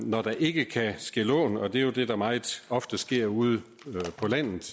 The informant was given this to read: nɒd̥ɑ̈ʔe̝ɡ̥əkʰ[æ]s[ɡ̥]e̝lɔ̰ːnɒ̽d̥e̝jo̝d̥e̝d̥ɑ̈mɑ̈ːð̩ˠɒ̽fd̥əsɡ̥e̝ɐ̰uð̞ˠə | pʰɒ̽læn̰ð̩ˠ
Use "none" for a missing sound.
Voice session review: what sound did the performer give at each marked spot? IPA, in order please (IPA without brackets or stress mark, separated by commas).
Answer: æ, ɡ̥